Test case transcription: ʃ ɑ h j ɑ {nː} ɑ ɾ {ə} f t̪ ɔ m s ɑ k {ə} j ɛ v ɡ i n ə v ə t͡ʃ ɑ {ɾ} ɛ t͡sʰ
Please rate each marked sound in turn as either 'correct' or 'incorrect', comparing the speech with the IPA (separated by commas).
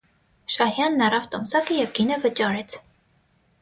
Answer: correct, incorrect, correct, correct